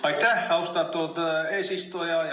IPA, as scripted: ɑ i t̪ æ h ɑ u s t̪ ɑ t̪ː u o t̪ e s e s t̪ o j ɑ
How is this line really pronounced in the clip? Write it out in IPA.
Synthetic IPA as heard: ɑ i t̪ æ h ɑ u s t̪ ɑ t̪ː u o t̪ e s i s t̪ o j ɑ